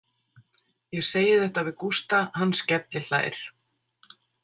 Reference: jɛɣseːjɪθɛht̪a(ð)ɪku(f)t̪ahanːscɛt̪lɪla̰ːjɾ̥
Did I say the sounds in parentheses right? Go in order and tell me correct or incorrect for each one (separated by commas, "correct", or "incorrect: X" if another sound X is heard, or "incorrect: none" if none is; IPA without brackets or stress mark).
incorrect: v, incorrect: s